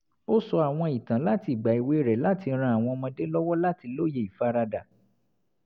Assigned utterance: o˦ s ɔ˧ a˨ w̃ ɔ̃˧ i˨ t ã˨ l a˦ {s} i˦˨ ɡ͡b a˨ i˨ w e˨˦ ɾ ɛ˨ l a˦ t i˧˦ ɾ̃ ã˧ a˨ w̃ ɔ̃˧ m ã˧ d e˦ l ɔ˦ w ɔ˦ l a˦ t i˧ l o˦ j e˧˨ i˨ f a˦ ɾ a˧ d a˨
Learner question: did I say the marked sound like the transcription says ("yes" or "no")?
no